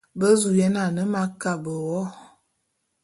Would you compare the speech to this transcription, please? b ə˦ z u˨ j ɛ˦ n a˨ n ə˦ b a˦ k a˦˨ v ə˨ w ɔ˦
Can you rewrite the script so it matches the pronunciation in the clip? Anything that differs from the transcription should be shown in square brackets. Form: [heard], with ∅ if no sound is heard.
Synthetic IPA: b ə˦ z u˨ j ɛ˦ n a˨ n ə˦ [m] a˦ k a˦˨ [b] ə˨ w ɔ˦